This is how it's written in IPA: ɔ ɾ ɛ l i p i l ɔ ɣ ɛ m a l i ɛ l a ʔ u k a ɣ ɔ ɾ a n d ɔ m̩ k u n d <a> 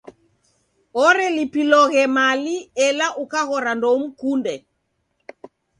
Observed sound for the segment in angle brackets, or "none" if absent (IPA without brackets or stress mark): ɛ